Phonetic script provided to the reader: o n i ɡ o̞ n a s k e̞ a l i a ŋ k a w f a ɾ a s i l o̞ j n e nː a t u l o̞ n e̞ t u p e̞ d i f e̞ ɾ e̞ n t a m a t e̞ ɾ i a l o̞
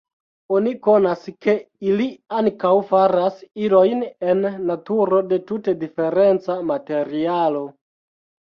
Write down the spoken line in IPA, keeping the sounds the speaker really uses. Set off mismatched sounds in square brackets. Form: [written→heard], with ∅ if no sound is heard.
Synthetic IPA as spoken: o n i [ɡ→k] o̞ n a s k e̞ [a→i] l i a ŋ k a w f a ɾ a s i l o̞ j n e nː a t u [l→ɾ] o̞ [n→d] e̞ t u [p→t] e̞ d i f e̞ ɾ e̞ n [t→t͡s] a m a t e̞ ɾ i a l o̞

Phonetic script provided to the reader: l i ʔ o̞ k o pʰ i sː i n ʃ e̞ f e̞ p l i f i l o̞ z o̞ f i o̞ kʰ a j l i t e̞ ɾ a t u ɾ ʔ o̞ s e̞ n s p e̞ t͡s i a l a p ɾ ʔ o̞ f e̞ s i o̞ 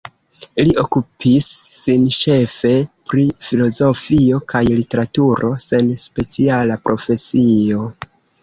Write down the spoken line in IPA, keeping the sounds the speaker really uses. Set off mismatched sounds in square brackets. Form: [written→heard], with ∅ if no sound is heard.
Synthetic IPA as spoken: l i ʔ o̞ k [o→u] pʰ i sː i n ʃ e̞ f e̞ p [l→ɾ] i f i l o̞ z o̞ f i o̞ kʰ a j l i t e̞ ɾ a t u ɾ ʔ o̞ s e̞ n s p e̞ t͡s i a l a p ɾ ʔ o̞ f e̞ s i o̞

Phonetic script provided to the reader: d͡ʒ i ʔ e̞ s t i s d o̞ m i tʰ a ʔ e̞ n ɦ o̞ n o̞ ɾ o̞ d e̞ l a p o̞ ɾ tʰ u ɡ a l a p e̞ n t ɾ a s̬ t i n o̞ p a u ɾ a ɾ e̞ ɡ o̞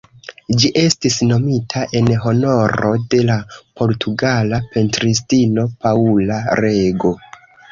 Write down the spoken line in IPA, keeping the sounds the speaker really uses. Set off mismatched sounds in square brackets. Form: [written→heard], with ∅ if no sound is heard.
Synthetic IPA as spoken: d͡ʒ i ʔ e̞ s t i s [d→n] o̞ m i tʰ a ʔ e̞ n ɦ o̞ n o̞ ɾ o̞ d e̞ l a p o̞ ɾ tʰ u ɡ a l a p e̞ n t ɾ [a→i] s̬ t i n o̞ p a u [ɾ→l] a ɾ e̞ ɡ o̞

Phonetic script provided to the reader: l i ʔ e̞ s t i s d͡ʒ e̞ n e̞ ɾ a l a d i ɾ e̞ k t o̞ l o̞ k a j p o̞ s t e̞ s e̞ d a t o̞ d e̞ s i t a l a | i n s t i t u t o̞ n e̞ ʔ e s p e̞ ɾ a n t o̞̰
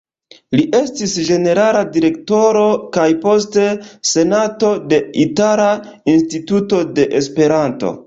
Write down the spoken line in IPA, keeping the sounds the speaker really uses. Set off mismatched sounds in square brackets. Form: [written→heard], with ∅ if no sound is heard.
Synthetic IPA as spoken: l i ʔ e̞ s t i s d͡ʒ e̞ n e̞ ɾ a l a d i ɾ e̞ k t o̞ [l→ɾ] o̞ k a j p o̞ s t e̞ s e̞ [d→n] a t o̞ d e̞ [s→∅] i t a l a | i n s t i t u t o̞ [n→d] e̞ ʔ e s p e̞ ɾ a n t o̞̰

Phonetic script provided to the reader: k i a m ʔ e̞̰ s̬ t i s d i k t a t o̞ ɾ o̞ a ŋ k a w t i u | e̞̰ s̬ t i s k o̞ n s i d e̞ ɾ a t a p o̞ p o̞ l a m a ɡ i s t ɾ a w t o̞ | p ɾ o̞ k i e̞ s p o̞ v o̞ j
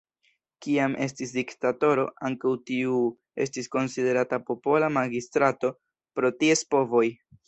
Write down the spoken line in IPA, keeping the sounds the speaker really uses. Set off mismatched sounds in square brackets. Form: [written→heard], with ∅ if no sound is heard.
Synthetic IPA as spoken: k i a m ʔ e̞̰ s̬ t i s d i k t a t o̞ ɾ o̞ a ŋ k a w t i u | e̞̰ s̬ t i s k o̞ n s i d e̞ ɾ a t a p o̞ p o̞ l a m a ɡ i s t ɾ a [w→∅] t o̞ | p ɾ o̞ [k→t] i e̞ s p o̞ v o̞ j

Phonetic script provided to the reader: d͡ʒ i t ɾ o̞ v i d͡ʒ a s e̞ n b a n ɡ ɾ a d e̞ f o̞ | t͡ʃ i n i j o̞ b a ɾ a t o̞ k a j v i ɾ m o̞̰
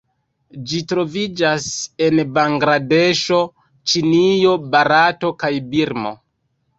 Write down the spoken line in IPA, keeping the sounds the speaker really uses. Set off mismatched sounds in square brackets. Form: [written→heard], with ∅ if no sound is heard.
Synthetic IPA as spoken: d͡ʒ i t ɾ o̞ v i d͡ʒ a s e̞ n b a [n→ŋ] ɡ ɾ a d e̞ [f→ʃ] o̞ | t͡ʃ i n i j o̞ b a ɾ a t o̞ k a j [v→b] i ɾ m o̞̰

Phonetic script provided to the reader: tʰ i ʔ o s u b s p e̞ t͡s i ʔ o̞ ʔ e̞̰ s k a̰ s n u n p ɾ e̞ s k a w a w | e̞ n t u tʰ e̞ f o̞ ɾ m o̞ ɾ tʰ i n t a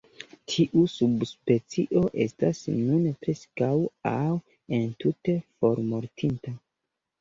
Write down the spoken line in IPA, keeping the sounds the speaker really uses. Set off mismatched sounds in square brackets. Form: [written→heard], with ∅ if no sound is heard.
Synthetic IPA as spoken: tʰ i ʔ [o→u] s u b s p e̞ t͡s i ʔ o̞ ʔ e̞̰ s [k→t] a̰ s n u n p ɾ e̞ s k a w a w | e̞ n t u [tʰ→t] e̞ f o̞ ɾ m o̞ ɾ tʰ i n t a

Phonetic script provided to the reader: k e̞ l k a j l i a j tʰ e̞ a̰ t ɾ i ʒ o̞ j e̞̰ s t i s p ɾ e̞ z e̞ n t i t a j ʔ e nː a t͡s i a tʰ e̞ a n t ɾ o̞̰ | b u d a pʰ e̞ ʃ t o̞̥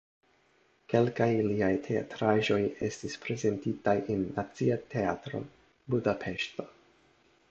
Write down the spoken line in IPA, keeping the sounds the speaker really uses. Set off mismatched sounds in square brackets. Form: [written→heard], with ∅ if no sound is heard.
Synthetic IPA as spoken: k e̞ l k a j l i a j tʰ e̞ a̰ t ɾ [i→a] ʒ o̞ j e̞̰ s t i s p ɾ e̞ z e̞ n t i t a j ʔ e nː a t͡s i a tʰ e̞ a [n→∅] t ɾ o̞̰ | b u d a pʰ e̞ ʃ t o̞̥

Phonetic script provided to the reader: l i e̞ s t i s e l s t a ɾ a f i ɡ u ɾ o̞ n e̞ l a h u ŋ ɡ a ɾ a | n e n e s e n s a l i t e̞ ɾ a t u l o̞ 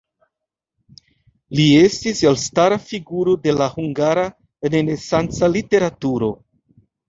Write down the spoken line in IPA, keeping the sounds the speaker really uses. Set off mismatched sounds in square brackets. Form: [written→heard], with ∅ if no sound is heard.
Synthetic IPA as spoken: l i e̞ s t i s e l s t a ɾ a f i ɡ u ɾ o̞ [n→d] e̞ l a h u ŋ ɡ a ɾ a | n e n e s [e→a] n [s→t͡s] a l i t e̞ ɾ a t u [l→ɾ] o̞

